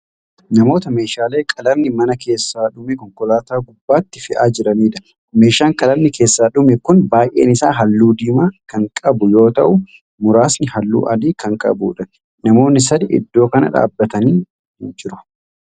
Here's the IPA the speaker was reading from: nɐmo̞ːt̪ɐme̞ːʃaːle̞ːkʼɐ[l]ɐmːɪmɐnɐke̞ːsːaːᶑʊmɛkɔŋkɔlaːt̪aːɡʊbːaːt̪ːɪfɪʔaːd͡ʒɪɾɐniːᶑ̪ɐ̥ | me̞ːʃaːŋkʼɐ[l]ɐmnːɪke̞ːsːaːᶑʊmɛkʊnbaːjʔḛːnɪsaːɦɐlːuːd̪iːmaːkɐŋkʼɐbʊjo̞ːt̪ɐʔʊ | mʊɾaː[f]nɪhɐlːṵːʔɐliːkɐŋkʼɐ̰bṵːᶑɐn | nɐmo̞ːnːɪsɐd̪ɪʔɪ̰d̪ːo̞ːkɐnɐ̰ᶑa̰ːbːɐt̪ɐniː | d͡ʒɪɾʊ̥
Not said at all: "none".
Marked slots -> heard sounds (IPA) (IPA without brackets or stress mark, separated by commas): l, l, s